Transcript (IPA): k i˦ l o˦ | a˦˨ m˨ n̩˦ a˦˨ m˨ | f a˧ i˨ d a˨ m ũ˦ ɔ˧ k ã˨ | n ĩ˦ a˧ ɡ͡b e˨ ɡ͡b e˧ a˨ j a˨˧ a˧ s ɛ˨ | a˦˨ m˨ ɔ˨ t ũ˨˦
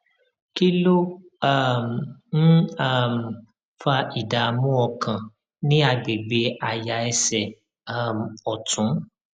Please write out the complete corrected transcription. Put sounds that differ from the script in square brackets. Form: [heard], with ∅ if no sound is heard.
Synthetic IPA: k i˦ l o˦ | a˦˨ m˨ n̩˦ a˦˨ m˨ | f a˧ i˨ d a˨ m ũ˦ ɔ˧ k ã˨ | n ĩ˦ a˧ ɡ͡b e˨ ɡ͡b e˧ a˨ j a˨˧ [ɛ˧] s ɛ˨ | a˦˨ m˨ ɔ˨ t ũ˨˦